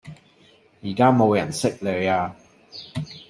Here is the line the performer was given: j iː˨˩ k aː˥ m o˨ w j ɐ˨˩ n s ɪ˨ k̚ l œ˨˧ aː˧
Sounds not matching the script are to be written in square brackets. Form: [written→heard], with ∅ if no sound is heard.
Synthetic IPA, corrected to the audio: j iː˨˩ k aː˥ m o˨ w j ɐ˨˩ n s [ɪ˨→ɪ˥] k̚ l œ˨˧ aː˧